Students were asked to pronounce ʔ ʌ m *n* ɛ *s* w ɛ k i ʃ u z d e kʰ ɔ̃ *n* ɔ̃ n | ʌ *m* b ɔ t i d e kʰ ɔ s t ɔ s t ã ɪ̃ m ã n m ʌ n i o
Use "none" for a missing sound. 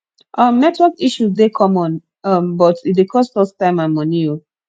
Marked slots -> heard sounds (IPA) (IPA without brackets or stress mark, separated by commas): n, t, m, m